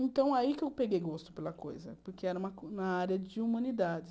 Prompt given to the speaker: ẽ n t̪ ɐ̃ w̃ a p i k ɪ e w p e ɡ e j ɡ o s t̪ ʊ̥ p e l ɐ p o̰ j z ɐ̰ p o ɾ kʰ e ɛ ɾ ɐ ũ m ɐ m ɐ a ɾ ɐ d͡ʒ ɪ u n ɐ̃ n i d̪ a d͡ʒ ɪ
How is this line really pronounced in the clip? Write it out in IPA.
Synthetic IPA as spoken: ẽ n t̪ ɐ̃ w̃ a i k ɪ e w p e ɡ e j ɡ o s t̪ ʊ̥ p e l ɐ k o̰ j z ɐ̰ p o ɾ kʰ e ɛ ɾ ɐ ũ m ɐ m ɐ a ɾ ɐ d͡ʒ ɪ u m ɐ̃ n i d̪ a d͡ʒ ɪ